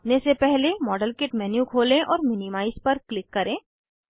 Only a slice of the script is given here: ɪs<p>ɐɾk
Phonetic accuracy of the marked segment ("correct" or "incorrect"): correct